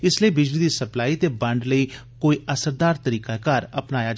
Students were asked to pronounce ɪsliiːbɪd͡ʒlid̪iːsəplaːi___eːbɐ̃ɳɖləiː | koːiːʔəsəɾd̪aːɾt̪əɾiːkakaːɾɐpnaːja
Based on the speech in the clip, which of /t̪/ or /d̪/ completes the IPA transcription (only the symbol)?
t̪